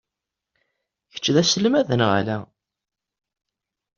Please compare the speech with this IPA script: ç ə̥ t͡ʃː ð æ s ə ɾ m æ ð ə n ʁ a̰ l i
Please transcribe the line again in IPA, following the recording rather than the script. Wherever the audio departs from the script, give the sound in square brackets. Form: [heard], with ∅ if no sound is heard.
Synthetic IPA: ç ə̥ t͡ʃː ð æ s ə [l] m æ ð ə n ʁ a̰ l [æ]